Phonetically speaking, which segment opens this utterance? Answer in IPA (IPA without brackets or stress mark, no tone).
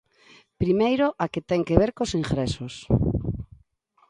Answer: p